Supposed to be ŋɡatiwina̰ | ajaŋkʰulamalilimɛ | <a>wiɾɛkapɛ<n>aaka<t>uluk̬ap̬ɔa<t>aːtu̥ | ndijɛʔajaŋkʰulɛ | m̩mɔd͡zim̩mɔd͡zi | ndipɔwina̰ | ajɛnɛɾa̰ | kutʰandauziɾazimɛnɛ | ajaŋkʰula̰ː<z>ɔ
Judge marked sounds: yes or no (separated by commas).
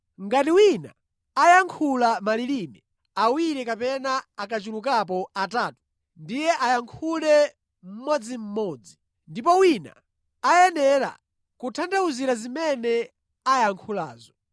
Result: yes, yes, no, yes, yes